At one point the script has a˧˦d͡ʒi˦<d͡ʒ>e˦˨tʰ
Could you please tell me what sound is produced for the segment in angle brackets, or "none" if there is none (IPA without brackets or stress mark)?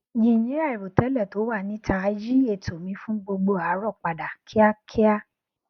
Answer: none